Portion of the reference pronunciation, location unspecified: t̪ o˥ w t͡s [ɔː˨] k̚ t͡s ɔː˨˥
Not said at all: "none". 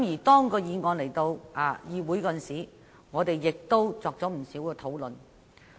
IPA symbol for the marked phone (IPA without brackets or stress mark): ɔː˨